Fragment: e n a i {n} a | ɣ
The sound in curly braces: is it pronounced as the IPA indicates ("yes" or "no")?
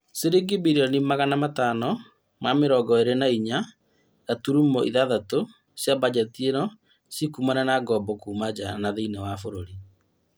no